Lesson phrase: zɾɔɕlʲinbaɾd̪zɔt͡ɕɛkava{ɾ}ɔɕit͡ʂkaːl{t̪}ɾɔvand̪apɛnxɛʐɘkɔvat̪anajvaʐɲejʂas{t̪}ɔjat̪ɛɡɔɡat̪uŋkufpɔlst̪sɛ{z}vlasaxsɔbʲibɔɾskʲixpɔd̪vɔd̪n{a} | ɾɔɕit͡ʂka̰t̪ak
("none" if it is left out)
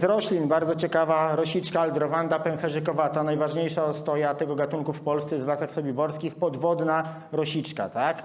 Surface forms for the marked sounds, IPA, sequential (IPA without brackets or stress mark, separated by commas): ɾ, d̪, t̪, z, a